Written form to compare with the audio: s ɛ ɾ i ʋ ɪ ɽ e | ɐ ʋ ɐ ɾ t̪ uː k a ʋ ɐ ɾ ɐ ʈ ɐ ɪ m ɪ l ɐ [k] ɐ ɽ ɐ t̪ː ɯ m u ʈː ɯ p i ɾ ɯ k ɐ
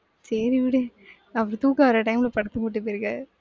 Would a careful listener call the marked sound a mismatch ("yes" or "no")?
yes